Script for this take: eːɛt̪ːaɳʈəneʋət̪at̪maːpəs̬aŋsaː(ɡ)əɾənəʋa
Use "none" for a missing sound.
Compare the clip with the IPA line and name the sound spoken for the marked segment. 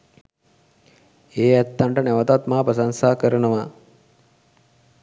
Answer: k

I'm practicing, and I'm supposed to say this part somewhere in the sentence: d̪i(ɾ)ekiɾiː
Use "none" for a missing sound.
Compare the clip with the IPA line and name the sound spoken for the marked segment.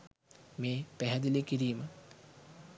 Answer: l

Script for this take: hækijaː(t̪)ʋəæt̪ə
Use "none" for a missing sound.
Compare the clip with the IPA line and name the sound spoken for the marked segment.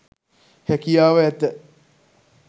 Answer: none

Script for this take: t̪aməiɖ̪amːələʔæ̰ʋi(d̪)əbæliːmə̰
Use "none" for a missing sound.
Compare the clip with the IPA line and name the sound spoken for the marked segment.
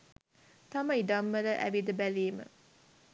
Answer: d̪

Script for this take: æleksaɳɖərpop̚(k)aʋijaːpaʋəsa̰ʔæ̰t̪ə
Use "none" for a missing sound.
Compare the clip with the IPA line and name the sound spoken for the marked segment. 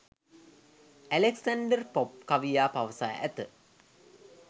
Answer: k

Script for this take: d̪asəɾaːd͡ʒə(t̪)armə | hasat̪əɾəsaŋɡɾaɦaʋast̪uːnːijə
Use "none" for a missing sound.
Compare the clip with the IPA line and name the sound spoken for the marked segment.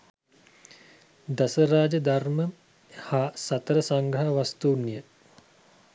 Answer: d̪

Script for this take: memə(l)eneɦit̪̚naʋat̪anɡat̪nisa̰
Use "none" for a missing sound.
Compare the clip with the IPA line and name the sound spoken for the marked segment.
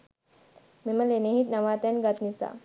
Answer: l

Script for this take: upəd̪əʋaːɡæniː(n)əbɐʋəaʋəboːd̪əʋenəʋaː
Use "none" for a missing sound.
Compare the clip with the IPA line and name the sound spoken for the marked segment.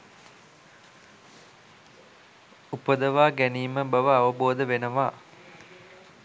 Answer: m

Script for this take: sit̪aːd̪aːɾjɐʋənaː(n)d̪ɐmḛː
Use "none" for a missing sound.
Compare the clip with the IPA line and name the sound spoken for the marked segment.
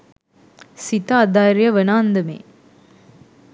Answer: n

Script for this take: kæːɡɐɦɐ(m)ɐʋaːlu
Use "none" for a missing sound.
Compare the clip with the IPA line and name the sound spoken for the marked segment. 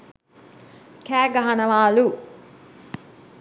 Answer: n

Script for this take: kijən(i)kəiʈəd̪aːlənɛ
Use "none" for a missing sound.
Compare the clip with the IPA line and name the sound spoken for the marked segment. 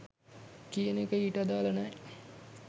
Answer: e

